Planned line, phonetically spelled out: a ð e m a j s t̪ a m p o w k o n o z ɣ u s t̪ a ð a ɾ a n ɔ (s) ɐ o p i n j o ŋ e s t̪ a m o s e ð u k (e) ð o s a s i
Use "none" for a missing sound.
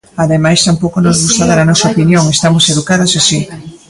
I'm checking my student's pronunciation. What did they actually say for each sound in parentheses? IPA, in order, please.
s, a

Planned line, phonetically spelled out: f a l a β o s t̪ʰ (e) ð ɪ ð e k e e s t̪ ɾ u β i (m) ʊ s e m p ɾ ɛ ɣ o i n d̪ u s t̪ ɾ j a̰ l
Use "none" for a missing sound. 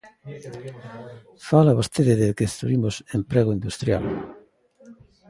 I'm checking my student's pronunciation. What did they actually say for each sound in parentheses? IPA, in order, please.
e, m

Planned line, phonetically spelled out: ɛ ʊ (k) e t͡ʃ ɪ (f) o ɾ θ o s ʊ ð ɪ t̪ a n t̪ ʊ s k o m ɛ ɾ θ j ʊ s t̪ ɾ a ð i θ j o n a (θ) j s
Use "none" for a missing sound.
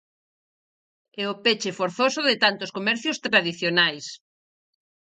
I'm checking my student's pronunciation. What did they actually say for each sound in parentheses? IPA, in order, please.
p, f, none

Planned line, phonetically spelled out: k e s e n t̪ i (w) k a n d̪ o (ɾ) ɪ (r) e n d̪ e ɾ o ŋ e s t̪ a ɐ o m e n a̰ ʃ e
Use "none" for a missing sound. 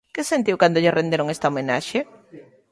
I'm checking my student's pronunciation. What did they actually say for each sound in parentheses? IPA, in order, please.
w, ʎ, r

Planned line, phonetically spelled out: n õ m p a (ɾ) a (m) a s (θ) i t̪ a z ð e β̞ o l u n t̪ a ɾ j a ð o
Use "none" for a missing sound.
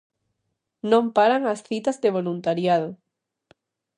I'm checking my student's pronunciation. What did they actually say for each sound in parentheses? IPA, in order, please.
ɾ, ŋ, θ

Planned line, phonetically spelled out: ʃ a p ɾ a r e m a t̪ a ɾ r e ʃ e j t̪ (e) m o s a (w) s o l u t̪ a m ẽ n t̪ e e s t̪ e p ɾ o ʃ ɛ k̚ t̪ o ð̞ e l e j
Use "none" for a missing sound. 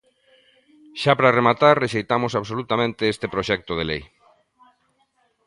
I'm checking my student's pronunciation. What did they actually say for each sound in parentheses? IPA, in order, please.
a, β

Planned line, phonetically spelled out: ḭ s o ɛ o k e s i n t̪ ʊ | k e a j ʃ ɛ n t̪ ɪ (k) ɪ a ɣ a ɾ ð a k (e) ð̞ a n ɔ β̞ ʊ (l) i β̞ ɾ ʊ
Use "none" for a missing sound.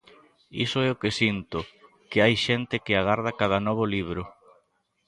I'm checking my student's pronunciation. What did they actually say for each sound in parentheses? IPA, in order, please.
k, a, l

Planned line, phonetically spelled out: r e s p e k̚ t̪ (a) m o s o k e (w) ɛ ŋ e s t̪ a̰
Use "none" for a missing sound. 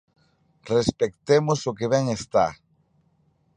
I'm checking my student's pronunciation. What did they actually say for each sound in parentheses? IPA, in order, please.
e, β

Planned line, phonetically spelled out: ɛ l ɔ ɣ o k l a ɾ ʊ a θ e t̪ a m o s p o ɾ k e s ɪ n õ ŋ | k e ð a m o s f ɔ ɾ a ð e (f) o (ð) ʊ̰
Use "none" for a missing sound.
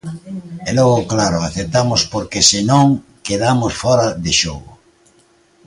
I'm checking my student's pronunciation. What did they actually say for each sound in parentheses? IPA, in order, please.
ʃ, ɣ

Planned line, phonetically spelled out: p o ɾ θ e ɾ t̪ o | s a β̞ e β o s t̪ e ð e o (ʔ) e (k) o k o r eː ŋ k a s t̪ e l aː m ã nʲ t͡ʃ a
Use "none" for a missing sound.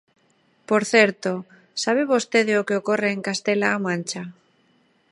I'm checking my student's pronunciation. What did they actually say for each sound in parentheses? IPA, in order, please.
k, none

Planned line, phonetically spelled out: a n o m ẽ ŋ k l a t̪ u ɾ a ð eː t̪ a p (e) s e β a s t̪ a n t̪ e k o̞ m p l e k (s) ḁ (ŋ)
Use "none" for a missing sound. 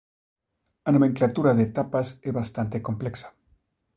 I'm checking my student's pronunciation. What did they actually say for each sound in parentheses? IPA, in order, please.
a, s, none

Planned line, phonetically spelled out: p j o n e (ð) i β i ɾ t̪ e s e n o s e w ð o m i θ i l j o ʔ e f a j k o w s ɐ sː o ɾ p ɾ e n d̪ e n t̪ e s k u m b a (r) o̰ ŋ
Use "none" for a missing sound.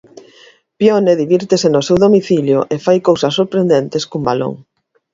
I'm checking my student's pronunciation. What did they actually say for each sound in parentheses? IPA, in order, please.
ð, l

